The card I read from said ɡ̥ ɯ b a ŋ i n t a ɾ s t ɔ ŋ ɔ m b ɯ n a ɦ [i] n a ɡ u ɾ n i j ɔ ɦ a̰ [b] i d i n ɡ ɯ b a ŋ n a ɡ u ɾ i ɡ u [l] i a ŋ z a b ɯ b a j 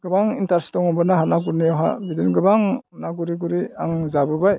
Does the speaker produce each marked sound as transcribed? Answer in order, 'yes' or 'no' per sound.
no, yes, no

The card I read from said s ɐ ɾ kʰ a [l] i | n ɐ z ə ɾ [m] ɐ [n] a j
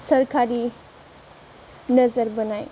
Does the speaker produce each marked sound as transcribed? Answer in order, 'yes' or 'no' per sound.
no, no, yes

